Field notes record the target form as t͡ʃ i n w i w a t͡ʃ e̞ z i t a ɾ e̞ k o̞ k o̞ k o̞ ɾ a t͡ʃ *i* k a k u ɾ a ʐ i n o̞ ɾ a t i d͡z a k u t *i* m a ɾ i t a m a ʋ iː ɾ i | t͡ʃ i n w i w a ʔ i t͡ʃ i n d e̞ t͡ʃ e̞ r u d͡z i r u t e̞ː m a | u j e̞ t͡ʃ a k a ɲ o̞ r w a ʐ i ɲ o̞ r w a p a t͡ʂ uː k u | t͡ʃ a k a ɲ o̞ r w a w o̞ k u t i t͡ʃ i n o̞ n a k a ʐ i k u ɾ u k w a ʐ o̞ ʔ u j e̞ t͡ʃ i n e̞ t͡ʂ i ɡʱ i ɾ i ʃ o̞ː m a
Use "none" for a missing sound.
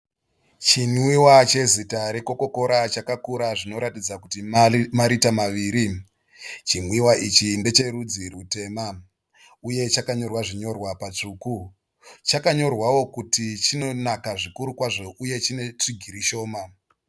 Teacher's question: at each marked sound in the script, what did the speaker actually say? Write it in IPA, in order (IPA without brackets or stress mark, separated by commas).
a, i